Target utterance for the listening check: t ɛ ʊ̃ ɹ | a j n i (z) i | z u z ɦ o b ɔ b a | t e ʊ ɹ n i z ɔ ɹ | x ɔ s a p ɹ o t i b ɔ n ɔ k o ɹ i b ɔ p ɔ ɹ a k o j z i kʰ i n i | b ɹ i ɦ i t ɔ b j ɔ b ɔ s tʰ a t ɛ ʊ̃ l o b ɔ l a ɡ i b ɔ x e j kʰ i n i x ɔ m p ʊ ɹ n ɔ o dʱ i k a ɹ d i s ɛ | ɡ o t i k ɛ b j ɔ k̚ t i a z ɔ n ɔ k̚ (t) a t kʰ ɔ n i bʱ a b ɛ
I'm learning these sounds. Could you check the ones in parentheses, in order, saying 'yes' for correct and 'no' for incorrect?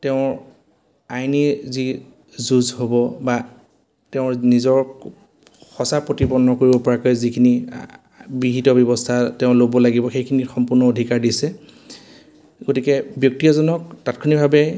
yes, yes

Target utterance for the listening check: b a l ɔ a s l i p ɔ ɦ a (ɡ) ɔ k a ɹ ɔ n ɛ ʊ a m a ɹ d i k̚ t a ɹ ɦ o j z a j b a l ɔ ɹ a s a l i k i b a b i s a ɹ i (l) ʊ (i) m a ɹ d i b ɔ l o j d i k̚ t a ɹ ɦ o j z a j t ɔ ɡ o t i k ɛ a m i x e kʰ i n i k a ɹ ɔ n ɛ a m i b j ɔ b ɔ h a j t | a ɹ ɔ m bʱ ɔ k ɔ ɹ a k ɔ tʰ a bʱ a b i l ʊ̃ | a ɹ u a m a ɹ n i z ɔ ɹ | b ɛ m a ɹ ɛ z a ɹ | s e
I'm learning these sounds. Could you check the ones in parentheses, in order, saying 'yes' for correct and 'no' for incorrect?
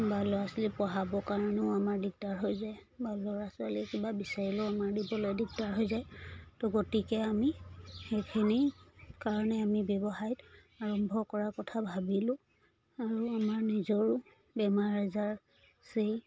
no, yes, no

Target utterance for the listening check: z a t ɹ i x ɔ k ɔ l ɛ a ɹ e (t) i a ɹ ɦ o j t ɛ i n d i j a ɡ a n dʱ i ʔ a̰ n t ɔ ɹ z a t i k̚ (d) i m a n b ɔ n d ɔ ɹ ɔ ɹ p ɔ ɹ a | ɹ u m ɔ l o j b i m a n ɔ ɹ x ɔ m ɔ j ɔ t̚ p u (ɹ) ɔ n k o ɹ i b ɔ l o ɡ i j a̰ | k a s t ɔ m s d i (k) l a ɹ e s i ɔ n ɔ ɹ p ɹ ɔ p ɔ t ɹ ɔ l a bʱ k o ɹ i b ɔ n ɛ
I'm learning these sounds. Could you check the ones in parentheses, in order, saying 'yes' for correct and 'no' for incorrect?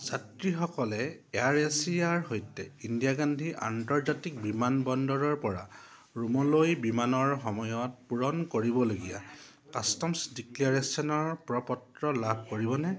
no, no, yes, yes

